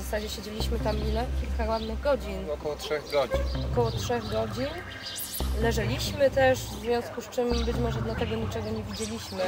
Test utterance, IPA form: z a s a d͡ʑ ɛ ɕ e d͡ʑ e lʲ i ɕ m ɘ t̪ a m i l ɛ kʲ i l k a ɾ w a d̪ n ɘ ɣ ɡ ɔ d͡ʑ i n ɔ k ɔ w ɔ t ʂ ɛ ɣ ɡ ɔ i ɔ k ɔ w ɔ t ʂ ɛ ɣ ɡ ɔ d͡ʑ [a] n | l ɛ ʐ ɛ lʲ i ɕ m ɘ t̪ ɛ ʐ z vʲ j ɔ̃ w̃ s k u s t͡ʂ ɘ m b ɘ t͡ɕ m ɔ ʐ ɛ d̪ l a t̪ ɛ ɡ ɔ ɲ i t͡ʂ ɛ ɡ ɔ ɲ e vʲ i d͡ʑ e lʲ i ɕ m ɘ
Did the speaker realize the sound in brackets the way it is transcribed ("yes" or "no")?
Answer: no